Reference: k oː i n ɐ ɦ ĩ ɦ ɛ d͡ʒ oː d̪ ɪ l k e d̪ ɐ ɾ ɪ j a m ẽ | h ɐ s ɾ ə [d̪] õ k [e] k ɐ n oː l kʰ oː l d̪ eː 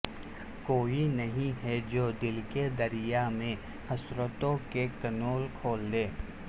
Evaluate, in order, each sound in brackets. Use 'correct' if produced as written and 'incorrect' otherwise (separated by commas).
incorrect, correct